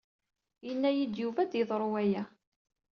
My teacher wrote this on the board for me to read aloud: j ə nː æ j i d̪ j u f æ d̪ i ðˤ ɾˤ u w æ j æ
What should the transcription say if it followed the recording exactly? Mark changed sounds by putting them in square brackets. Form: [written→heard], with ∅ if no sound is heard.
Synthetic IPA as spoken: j ə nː æ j i d̪ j u [f→v] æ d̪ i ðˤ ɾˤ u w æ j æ

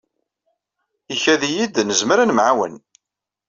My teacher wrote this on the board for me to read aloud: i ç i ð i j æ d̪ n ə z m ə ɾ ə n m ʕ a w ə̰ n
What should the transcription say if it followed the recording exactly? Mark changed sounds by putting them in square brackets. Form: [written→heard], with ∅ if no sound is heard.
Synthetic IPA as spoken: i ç [i→æ] ð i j [æ→i] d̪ n ə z m ə ɾ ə n m ʕ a w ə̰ n

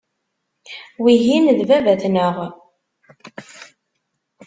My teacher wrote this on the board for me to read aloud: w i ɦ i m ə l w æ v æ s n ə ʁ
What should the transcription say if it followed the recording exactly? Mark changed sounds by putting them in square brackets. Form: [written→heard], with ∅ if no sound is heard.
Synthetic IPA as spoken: w i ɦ i [m→n] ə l [w→v] æ v æ [s→θ] n ə ʁ

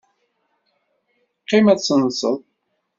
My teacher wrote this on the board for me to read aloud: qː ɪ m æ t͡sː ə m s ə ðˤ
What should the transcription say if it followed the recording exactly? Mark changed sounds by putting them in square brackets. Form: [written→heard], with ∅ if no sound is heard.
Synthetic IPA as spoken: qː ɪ m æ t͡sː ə [m→n] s ə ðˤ

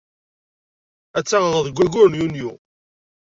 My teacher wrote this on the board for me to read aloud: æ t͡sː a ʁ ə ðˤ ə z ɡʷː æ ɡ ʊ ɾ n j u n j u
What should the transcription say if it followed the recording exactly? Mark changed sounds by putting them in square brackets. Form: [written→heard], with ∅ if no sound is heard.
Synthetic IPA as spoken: æ t͡sː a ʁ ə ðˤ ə [z→ð] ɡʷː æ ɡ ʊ ɾ n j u n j u

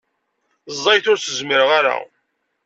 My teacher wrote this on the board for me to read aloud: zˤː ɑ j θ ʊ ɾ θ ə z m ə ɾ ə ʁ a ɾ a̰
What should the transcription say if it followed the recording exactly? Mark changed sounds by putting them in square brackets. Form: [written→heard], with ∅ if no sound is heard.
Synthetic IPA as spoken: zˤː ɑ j θ ʊ ɾ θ ə z m ə ɾ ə ʁ a ɾ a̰

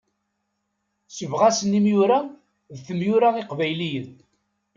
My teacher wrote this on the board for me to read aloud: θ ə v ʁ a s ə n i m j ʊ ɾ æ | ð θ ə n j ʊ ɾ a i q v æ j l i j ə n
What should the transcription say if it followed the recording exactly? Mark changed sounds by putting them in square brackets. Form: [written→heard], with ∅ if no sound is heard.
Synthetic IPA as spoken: [θ→s] ə v ʁ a s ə n i m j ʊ ɾ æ | ð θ ə [n→m] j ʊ ɾ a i q v æ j l i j ə n

